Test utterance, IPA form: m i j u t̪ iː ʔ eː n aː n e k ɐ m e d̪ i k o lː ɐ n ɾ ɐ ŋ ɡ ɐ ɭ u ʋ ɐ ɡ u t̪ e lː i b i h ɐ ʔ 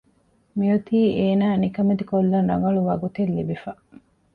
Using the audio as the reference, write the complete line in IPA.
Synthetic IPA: m i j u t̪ iː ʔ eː n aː n i k ɐ m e d̪ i k o lː ɐ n ɾ ɐ ŋ ɡ ɐ ɭ u ʋ ɐ ɡ u t̪ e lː i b i f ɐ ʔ